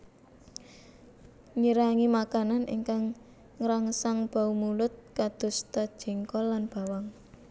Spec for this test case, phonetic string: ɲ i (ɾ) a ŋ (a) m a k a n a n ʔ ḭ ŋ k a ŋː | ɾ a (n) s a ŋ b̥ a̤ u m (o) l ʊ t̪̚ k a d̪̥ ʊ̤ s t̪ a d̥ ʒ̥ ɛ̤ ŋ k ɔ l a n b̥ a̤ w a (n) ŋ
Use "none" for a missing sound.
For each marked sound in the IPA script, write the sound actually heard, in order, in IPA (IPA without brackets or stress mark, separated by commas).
ɾ, i, ŋ, u, none